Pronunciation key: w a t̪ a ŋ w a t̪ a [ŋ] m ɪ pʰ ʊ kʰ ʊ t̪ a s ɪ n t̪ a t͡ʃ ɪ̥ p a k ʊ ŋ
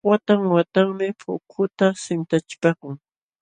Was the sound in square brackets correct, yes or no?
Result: yes